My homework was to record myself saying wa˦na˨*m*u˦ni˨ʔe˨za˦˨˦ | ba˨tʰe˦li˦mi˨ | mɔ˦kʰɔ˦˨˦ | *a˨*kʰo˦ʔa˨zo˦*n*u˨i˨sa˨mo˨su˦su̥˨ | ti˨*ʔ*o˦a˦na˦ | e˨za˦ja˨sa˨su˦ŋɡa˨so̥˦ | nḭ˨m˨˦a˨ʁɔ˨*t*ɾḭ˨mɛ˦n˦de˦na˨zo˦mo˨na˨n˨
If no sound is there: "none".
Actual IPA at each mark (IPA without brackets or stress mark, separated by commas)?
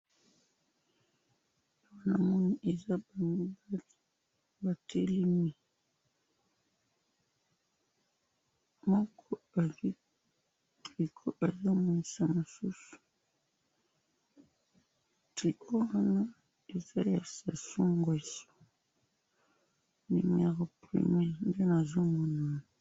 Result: m, i˨, m, k, p